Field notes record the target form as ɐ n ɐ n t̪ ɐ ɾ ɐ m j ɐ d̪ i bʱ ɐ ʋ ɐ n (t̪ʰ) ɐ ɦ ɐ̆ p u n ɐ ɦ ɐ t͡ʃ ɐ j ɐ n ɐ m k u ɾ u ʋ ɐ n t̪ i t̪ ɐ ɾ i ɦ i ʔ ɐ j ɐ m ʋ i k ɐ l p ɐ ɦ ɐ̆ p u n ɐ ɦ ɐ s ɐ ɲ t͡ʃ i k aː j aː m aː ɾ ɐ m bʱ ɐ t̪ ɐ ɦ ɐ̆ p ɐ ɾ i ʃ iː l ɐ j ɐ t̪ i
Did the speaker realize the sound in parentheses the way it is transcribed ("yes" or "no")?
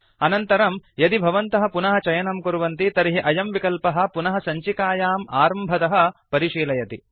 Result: no